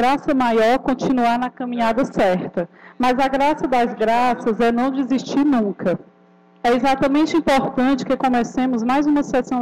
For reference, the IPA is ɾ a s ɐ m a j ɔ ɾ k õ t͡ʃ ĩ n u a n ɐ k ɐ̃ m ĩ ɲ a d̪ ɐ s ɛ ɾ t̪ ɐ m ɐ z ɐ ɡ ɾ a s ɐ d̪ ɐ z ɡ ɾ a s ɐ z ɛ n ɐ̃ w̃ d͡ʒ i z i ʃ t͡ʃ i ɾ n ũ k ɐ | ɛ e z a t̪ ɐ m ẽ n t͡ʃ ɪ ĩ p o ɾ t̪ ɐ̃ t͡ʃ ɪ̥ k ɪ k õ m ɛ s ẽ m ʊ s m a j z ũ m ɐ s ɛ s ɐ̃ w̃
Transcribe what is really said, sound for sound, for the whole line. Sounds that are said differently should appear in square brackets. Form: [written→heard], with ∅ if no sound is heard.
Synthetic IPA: ɾ a s ɐ m a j ɔ ɾ k õ t͡ʃ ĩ n u a n ɐ k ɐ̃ m ĩ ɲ a d̪ ɐ s ɛ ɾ t̪ ɐ m ɐ z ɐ ɡ ɾ a s ɐ d̪ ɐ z ɡ ɾ a s ɐ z ɛ n ɐ̃ w̃ d͡ʒ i z i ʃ t͡ʃ i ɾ n ũ k ɐ | ɛ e z a t̪ ɐ m ẽ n t͡ʃ ɪ ĩ p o ɾ t̪ ɐ̃ t͡ʃ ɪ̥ k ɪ k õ m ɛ s ẽ m ʊ [s→z] m a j z ũ m ɐ s ɛ s ɐ̃ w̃